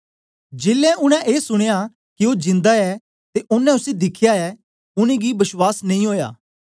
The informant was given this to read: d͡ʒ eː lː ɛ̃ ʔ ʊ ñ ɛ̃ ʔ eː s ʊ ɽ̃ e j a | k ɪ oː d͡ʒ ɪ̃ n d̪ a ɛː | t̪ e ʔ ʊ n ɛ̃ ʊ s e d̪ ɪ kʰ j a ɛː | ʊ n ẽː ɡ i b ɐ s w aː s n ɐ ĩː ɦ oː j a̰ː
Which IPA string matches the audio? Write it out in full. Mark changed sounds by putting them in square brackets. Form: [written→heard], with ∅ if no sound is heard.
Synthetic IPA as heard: d͡ʒ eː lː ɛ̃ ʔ ʊ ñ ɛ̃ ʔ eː s ʊ ɽ̃ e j a | k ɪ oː d͡ʒ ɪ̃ n d̪ a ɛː | t̪ e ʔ ʊ n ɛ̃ ʊ s e d̪ ɪ kʰ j a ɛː | ʊ n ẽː ɡ i b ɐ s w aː s n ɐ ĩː ɦ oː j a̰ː